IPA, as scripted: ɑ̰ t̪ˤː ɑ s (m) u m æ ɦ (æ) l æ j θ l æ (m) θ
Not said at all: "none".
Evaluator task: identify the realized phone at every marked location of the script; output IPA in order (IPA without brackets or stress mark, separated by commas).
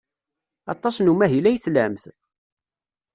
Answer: n, i, m